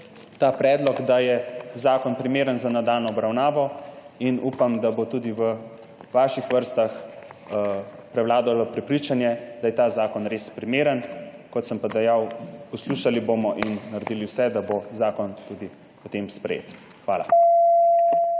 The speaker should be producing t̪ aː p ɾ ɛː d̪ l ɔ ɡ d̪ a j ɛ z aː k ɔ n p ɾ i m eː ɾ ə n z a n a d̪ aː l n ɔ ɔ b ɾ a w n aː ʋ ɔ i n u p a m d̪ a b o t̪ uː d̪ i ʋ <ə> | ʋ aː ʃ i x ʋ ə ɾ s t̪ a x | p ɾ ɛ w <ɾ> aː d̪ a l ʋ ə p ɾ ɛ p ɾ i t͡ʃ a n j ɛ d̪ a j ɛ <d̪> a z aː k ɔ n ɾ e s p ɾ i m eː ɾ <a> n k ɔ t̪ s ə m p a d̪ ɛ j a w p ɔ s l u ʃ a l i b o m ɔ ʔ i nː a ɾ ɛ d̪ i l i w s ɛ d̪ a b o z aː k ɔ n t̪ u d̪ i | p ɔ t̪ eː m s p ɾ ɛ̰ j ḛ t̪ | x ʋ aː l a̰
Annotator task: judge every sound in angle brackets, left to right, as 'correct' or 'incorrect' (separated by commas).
correct, incorrect, incorrect, incorrect